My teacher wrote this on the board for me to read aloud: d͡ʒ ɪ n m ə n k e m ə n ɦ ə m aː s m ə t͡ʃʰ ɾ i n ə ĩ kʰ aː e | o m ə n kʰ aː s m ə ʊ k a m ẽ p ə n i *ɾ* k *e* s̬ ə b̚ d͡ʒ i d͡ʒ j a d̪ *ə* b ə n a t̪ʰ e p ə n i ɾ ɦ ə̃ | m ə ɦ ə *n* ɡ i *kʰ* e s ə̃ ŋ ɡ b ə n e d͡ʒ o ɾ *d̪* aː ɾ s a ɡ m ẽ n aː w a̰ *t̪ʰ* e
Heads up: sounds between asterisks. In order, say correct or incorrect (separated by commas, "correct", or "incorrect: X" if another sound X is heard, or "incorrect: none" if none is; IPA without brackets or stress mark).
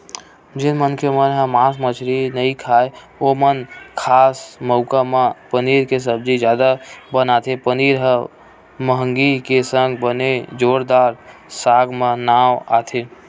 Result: correct, correct, incorrect: a, incorrect: ŋ, incorrect: k, correct, correct